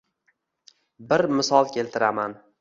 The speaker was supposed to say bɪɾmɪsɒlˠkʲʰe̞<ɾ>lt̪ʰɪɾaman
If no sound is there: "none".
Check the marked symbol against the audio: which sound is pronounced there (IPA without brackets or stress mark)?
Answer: none